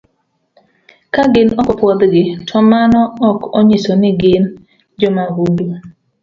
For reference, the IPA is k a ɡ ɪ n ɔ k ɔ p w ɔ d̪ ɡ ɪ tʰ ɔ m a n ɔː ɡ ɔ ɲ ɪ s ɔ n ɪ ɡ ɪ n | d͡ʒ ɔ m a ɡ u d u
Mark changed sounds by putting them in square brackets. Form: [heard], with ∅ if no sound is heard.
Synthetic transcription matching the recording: k a ɡ ɪ n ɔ k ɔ p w ɔ d̪ ɡ ɪ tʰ ɔ m a n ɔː [k] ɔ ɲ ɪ s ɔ n ɪ ɡ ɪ n | d͡ʒ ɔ m a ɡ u d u